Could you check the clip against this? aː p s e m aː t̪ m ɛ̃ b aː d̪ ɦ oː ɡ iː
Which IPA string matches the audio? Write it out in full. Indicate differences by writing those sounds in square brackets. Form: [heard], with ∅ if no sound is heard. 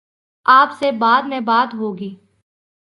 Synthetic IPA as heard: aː p s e [b] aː [d̪] m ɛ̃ b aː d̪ ɦ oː ɡ iː